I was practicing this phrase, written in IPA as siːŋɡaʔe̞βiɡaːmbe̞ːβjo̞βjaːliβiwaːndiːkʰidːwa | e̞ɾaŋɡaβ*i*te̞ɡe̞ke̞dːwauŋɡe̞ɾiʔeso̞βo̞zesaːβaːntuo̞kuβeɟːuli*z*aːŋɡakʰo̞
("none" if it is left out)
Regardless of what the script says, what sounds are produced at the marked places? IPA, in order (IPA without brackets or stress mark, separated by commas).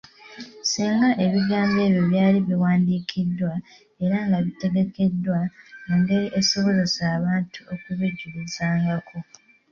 i, z